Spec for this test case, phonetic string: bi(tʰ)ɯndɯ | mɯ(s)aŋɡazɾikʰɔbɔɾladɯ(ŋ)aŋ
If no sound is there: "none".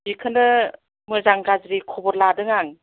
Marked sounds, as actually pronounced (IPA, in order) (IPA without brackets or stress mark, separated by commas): kʰ, z, ŋ